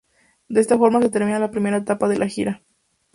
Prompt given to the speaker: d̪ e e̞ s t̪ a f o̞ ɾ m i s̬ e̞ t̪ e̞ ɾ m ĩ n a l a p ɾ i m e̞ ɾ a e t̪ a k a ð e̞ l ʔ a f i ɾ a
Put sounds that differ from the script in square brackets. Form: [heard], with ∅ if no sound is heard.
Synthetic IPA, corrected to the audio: d̪ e e̞ s t̪ a f o̞ ɾ m [a] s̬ e̞ t̪ e̞ ɾ m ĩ n a l a p ɾ i m e̞ ɾ a e t̪ a [p] a ð e̞ l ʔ a [x] i ɾ a